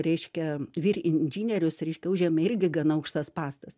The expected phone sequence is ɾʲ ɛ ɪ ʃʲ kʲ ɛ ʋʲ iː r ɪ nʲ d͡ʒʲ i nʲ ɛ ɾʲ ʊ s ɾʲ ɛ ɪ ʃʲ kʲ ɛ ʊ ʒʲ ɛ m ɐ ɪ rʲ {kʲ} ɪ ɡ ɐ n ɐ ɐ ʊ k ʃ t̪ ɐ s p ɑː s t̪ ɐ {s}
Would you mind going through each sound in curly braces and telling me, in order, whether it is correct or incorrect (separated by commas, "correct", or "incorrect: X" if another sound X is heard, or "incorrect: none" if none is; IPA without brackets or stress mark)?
incorrect: ɡʲ, correct